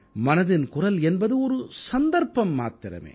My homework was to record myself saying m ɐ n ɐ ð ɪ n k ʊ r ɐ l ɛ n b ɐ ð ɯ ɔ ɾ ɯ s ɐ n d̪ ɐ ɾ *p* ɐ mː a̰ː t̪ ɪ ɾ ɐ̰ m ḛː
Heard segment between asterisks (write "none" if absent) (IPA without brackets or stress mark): p